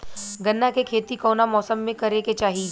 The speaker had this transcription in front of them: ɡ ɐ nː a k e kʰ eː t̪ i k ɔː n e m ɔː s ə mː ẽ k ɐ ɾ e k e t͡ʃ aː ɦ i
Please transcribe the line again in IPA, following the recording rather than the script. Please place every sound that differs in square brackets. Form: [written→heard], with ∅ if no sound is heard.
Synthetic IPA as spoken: ɡ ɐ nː a k e kʰ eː t̪ i k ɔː n [e→a] m ɔː s ə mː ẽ k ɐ ɾ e k e t͡ʃ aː ɦ i